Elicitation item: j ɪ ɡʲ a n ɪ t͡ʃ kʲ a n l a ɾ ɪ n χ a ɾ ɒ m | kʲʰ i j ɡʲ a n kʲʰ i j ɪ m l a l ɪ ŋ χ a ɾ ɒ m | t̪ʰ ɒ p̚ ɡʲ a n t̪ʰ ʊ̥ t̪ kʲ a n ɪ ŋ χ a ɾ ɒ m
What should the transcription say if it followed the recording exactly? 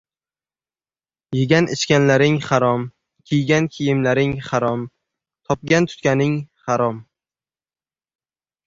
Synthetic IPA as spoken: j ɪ ɡʲ a n ɪ t͡ʃ kʲ a n l a ɾ ɪ ŋ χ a ɾ ɒ m | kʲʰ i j ɡʲ a n kʲʰ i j ɪ m l a ɾ ɪ ŋ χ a ɾ ɒ m | t̪ʰ ɒ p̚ ɡʲ a n t̪ʰ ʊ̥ t̪ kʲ a n ɪ ŋ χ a ɾ ɒ m